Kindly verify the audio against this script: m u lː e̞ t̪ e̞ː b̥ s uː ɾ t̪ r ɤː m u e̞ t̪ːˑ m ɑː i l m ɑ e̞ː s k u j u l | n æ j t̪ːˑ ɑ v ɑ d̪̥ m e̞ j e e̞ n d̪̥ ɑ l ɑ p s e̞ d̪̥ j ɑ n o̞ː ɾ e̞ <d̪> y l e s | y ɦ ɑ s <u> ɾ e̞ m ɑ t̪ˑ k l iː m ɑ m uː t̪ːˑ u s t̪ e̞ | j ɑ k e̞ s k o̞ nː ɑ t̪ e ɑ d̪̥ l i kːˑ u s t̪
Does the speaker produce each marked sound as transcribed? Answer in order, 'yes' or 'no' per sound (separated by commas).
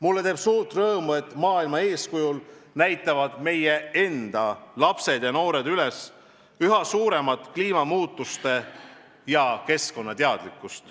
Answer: yes, no